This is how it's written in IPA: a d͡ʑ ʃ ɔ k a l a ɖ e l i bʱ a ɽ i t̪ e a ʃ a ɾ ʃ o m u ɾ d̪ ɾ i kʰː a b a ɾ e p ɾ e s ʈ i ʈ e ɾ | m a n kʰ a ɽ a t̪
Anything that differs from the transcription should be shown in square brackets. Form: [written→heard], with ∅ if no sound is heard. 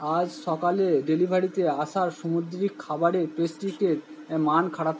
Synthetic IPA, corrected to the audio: a d͡ʑ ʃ ɔ k a l [a→e] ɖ e l i bʱ a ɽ i t̪ e a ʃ a ɾ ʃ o m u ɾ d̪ ɾ i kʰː a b a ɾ e p ɾ e s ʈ i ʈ e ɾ | m a n kʰ a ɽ a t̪